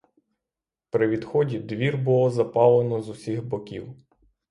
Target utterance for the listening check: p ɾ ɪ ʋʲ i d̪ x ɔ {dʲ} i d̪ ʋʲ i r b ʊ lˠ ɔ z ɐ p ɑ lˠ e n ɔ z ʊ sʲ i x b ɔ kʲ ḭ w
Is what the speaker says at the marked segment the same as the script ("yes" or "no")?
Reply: yes